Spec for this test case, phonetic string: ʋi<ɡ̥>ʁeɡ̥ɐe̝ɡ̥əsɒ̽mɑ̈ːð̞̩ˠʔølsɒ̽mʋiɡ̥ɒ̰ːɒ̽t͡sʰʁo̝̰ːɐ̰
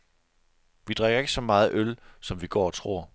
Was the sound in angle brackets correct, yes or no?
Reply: no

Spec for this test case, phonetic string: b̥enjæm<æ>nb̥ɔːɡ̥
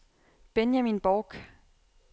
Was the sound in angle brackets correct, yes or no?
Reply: no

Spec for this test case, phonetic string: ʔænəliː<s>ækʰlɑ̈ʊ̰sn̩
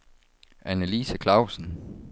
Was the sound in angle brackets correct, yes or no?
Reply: yes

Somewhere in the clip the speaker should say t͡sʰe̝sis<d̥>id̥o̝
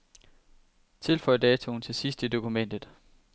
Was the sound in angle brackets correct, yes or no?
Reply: yes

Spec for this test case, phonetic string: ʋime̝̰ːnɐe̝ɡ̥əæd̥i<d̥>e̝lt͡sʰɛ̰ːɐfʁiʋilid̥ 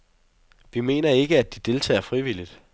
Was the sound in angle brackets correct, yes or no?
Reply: yes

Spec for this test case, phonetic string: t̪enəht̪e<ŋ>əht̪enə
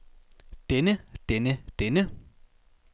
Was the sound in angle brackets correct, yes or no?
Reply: no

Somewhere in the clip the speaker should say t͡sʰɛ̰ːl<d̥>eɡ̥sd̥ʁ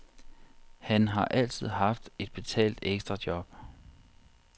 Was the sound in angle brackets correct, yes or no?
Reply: yes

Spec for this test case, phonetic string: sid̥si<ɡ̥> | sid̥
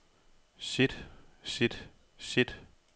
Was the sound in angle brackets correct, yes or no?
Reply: no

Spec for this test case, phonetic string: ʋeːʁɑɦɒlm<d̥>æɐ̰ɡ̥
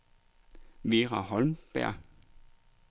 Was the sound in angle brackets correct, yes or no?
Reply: no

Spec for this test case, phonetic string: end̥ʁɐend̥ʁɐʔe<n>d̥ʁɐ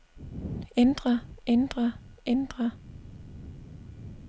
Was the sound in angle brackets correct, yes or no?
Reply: yes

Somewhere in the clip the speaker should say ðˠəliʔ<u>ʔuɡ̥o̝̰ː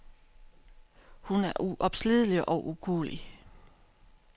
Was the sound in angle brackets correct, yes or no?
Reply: no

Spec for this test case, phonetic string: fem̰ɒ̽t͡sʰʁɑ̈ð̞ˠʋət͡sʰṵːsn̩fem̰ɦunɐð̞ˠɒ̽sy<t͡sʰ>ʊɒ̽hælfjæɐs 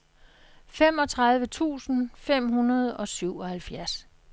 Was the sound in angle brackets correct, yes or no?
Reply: no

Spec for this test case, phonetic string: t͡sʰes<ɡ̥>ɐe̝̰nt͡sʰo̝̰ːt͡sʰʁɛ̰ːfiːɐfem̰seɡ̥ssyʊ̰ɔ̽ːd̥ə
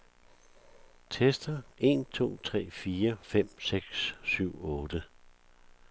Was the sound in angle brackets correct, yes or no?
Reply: no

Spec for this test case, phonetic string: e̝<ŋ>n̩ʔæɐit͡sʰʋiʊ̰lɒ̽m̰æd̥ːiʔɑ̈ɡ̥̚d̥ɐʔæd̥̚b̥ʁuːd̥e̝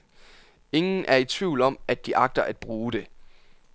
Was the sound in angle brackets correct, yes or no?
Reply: yes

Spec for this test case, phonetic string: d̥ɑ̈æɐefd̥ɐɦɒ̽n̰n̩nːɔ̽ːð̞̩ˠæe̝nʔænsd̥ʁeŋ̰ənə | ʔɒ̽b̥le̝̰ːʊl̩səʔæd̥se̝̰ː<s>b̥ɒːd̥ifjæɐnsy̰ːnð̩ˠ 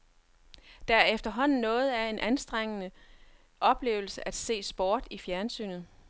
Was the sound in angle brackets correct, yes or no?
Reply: yes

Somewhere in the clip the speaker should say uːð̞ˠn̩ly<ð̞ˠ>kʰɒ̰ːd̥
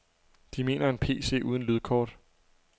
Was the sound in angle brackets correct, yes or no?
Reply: yes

